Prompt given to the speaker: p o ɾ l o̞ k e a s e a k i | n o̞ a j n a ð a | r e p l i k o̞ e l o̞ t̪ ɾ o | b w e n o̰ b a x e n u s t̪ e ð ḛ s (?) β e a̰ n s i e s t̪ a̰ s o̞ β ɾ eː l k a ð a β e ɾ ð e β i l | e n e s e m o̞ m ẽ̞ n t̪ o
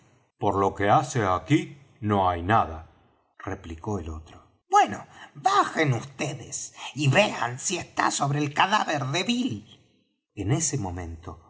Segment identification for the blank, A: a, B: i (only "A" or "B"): B